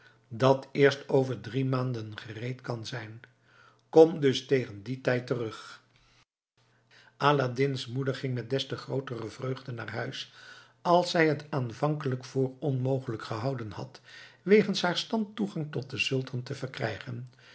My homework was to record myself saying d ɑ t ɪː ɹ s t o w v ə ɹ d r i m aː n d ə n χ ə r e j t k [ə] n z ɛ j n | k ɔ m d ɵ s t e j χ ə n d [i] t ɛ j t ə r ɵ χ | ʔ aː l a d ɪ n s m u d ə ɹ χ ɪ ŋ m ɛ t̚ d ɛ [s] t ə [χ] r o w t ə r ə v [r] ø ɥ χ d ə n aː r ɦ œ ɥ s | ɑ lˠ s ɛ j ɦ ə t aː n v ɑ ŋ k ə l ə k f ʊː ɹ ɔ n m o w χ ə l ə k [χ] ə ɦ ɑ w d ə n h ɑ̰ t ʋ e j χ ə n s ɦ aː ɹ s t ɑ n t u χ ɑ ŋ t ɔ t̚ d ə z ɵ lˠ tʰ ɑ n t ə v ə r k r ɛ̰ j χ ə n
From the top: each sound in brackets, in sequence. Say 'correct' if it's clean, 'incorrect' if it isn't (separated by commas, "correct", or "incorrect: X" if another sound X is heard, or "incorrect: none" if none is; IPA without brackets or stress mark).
incorrect: ɑ, correct, correct, correct, correct, correct